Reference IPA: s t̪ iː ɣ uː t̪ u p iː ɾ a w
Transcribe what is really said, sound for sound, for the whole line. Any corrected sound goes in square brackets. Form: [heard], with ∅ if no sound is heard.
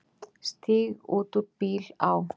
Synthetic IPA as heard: s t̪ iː ɣ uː t̪ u p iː [l] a w